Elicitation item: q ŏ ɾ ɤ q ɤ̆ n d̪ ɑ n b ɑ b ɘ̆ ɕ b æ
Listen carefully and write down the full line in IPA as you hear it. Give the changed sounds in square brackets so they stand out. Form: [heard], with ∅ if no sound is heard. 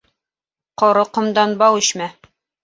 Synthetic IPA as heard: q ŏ ɾ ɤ q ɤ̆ [m] d̪ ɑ n b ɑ [w] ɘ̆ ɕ [m] æ